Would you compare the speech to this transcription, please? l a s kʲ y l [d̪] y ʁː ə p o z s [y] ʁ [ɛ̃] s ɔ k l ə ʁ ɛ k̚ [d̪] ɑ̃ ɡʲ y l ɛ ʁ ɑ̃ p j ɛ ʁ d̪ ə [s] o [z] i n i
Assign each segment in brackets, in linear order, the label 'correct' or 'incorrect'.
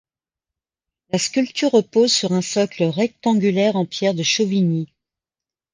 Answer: incorrect: t̪, correct, correct, incorrect: t̪, incorrect: ʃ, incorrect: v

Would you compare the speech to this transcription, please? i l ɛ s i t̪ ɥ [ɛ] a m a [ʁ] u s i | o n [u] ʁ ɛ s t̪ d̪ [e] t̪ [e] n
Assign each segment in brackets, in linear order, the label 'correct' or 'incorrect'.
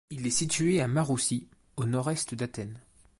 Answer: incorrect: e, correct, incorrect: ɔ, incorrect: a, incorrect: ɛ

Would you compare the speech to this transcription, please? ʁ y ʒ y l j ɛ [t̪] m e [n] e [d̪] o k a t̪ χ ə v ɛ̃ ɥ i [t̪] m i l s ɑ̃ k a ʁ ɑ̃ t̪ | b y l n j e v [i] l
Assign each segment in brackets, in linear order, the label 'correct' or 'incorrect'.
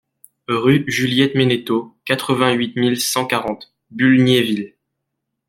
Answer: correct, correct, incorrect: t̪, correct, correct

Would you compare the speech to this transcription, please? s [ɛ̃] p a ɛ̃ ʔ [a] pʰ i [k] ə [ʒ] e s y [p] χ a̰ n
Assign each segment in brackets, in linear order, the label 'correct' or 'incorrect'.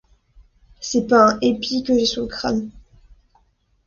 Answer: incorrect: ɛ, incorrect: e, correct, correct, incorrect: k

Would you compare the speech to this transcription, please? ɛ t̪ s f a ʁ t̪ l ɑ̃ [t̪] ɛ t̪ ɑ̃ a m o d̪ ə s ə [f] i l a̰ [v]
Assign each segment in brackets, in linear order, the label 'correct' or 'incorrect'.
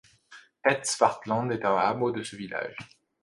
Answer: incorrect: d̪, incorrect: v, incorrect: ʒ

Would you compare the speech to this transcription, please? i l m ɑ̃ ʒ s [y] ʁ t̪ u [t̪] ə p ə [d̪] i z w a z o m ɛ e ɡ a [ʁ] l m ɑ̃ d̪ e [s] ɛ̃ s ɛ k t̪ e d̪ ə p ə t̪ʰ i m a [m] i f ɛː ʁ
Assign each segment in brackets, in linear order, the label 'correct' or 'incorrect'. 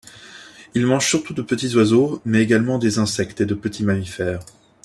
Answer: correct, incorrect: d̪, incorrect: t̪, incorrect: none, incorrect: z, correct

